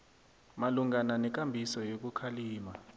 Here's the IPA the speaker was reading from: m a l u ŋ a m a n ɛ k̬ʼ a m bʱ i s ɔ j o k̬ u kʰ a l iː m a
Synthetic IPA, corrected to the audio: m a l u ŋ a n a n ɛ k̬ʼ a m bʱ i s ɔ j o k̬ u kʰ a l iː m a